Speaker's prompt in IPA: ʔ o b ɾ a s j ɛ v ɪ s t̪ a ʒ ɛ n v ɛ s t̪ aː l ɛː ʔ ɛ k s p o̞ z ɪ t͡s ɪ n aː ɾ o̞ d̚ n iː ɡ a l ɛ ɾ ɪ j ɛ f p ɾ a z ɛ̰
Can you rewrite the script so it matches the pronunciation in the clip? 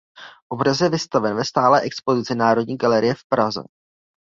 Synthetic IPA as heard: ʔ o b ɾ a s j ɛ v ɪ s t̪ a v ɛ n v ɛ s t̪ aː l ɛː ʔ ɛ k s p o̞ z ɪ t͡s ɪ n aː ɾ o̞ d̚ ɲ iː ɡ a l ɛ ɾ ɪ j ɛ f p ɾ a z ɛ̰